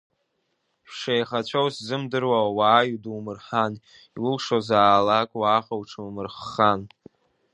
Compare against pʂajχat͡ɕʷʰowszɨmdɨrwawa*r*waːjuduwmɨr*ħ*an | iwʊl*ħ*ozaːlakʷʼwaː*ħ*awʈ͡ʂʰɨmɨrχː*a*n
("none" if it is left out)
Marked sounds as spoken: none, ħ, ʂ, χ, a

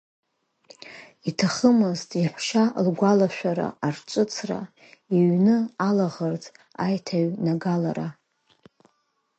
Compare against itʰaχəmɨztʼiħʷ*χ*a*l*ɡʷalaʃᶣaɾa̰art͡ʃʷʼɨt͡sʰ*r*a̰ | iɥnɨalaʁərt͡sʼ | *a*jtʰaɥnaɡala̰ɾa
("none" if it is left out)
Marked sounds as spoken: ʃ, l, r, a

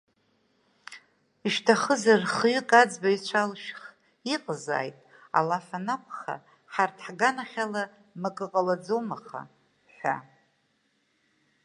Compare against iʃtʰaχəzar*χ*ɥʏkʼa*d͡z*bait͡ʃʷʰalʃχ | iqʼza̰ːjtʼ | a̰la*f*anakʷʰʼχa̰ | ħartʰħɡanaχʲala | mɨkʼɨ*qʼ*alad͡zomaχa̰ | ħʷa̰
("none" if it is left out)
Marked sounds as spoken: χ, d͡z, f, qʼ

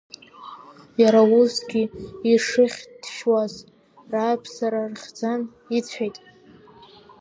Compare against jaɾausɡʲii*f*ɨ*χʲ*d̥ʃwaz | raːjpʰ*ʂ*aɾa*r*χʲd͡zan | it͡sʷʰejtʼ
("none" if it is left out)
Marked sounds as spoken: ʂ, χʲ, s, r

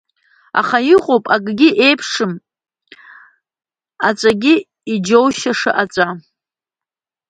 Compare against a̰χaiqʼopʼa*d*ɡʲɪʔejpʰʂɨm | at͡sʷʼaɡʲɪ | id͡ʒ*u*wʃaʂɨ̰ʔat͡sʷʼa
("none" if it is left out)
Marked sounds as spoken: ɡ, o

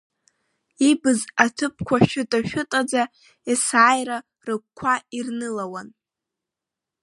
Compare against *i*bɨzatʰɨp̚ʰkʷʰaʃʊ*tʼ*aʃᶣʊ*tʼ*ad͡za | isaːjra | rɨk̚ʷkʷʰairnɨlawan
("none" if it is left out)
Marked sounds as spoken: i, tʼ, tʼ

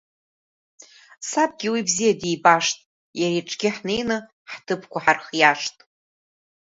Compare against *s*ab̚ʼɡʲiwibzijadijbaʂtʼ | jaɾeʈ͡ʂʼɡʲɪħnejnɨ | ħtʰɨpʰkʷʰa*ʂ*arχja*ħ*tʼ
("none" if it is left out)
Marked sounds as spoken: s, ħ, ʂ

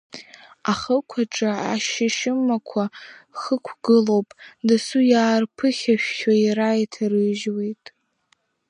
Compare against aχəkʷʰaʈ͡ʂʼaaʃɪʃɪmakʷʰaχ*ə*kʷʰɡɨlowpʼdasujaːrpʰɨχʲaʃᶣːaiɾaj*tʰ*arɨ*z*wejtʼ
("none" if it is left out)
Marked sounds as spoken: ə, tʰ, ʒ

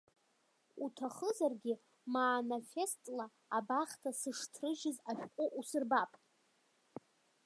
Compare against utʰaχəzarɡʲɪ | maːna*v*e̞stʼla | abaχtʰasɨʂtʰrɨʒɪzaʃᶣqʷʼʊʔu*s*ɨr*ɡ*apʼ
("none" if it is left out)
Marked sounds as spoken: f, s, b

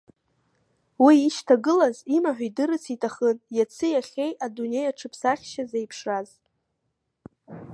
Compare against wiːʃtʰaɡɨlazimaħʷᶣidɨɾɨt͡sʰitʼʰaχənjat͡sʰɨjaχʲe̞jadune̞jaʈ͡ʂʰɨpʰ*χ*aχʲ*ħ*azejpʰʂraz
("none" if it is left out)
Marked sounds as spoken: s, ʃ

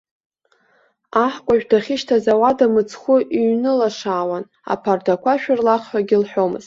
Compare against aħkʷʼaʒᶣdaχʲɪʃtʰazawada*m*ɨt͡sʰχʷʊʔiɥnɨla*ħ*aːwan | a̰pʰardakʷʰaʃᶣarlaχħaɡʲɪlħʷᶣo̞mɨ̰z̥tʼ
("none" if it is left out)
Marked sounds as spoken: m, ʂ

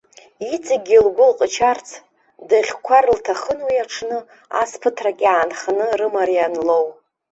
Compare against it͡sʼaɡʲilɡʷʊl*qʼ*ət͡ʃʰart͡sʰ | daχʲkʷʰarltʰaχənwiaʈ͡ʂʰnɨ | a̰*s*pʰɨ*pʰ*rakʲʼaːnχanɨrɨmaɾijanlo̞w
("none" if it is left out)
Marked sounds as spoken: qʼ, s, tʰ

